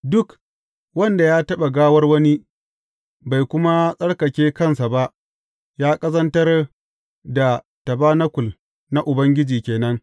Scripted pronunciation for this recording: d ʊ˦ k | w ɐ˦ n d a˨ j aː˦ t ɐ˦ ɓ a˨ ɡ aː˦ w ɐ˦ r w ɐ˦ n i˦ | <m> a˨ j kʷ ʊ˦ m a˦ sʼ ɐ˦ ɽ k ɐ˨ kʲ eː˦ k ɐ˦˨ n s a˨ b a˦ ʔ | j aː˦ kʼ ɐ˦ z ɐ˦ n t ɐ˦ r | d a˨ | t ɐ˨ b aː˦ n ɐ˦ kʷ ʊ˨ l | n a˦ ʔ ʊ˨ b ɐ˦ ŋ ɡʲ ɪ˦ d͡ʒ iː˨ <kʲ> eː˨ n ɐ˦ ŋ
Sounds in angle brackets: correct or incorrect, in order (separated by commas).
incorrect, correct